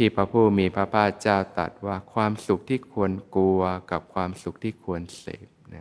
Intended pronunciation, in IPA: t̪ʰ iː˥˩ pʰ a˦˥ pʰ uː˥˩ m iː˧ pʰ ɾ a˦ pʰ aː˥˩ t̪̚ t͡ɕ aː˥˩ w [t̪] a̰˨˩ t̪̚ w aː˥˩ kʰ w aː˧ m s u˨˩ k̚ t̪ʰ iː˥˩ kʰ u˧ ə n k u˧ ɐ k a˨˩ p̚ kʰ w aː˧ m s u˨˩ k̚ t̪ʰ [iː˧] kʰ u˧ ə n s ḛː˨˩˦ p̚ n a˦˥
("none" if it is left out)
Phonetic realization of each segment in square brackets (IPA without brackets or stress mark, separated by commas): t̪, iː˥˩